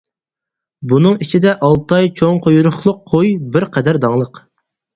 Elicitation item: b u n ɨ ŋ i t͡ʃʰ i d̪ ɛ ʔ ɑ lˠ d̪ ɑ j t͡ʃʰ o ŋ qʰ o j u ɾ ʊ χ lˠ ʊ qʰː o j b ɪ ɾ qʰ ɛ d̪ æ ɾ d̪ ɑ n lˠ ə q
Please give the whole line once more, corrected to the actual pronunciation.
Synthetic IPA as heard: b u n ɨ ŋ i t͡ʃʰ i d̪ ɛ ʔ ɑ lˠ t̪ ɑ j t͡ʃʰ o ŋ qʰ o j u ɾ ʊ χ lˠ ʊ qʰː o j b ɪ ɾ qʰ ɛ d̪ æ ɾ d̪ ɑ ŋ lˠ ə q